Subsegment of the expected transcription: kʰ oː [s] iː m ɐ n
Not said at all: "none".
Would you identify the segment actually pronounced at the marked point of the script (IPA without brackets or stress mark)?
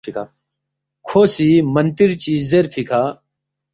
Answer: s